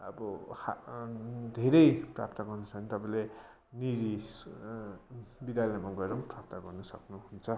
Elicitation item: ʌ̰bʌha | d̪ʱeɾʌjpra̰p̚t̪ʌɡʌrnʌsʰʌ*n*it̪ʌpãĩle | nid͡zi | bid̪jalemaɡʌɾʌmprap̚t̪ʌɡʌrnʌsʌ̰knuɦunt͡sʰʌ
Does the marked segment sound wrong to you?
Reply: no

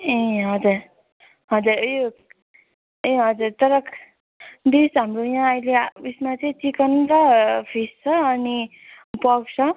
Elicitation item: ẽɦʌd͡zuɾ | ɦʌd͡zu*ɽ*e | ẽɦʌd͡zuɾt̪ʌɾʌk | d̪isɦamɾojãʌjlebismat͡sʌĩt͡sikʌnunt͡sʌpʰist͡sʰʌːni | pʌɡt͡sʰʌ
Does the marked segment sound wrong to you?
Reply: yes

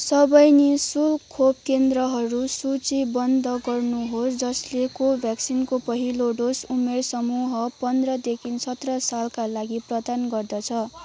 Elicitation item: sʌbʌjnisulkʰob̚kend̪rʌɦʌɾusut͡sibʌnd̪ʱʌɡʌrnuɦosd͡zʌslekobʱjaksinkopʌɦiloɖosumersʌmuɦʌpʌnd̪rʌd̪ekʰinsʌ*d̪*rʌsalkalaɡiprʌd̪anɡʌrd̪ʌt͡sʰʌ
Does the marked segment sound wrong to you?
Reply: yes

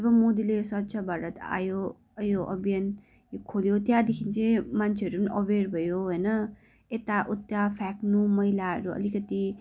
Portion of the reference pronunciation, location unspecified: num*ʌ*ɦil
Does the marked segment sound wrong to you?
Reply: no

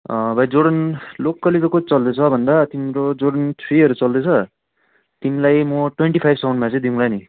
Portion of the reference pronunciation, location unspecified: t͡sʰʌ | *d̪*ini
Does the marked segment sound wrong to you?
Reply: yes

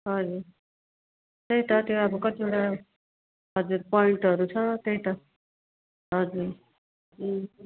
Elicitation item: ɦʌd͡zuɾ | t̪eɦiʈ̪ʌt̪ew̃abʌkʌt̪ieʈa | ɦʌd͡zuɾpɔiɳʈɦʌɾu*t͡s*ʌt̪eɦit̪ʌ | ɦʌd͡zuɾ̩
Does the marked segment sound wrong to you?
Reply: yes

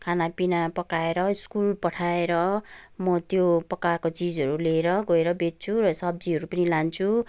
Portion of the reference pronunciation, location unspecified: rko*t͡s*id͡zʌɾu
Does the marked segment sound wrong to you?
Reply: no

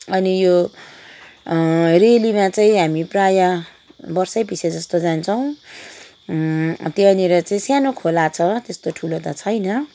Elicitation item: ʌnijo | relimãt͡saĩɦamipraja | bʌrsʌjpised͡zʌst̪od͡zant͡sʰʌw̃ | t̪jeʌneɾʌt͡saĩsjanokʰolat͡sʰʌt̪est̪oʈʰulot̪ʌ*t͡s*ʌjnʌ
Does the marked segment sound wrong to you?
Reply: yes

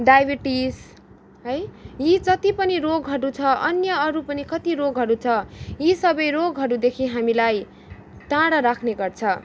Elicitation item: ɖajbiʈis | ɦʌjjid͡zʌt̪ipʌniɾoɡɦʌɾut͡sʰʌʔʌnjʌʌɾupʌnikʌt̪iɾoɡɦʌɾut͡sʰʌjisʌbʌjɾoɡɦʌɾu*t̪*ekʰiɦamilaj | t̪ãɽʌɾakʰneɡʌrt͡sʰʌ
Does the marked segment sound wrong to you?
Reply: yes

